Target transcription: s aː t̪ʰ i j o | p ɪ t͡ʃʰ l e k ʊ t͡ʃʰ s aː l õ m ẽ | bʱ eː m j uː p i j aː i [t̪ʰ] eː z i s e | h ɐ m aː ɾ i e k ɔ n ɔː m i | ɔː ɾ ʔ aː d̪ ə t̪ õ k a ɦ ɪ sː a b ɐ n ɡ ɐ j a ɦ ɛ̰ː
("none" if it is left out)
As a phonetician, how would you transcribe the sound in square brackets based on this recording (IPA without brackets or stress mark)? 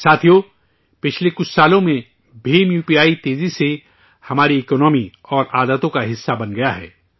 t̪